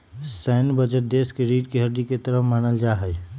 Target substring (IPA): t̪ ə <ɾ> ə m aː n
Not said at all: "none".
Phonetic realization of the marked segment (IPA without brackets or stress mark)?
ɾ